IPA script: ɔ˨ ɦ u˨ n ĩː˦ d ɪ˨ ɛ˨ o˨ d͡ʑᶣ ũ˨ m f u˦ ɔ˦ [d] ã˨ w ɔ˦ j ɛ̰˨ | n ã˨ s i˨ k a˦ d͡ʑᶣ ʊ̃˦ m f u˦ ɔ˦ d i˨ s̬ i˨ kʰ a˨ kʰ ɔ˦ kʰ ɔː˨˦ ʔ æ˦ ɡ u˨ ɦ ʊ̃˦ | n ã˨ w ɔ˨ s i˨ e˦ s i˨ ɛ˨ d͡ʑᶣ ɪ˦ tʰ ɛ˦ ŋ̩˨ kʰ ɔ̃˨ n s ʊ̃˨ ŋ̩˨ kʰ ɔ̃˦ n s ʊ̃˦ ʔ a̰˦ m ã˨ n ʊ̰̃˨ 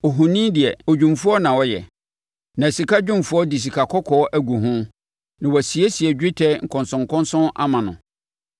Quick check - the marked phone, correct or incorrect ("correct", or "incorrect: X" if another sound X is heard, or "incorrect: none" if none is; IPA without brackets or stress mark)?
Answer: incorrect: n